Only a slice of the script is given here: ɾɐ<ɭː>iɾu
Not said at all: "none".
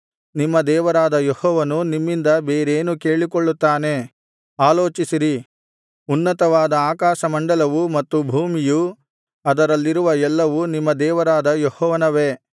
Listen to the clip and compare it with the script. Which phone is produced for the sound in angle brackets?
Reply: lː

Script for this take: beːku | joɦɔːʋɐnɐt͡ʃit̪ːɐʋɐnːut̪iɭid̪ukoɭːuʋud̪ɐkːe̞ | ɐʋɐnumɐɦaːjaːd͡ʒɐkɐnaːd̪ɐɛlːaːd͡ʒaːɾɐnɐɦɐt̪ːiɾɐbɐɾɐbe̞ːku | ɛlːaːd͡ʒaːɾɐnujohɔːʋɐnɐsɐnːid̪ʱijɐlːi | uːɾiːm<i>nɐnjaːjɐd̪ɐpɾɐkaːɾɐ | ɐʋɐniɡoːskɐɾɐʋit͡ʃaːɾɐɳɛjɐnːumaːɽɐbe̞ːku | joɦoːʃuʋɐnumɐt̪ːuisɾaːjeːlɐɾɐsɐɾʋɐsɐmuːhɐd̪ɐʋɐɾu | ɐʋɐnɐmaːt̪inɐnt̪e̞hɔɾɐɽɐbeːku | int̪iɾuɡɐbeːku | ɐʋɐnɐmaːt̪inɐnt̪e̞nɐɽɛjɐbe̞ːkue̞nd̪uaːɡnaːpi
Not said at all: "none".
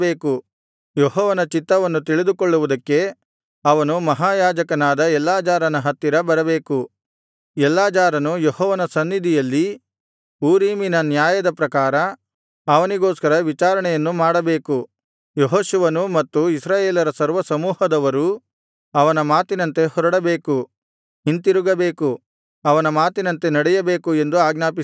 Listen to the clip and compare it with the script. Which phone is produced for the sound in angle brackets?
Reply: i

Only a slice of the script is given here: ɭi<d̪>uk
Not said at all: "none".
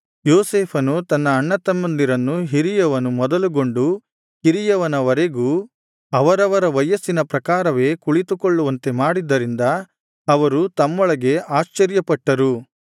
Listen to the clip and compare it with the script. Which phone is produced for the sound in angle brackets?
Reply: t̪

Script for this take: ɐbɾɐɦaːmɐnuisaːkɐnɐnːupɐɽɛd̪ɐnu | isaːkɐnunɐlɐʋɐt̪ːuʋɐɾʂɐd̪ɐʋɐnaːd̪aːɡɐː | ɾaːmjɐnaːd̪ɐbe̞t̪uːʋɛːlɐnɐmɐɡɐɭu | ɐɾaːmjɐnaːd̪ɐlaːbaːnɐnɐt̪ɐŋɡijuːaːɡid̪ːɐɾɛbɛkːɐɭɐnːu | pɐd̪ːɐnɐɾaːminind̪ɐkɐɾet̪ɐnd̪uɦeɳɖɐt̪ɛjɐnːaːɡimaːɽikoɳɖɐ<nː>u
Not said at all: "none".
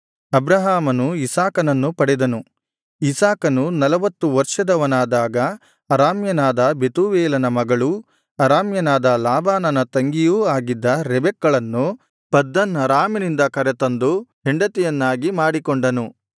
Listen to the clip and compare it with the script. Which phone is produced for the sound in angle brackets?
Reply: n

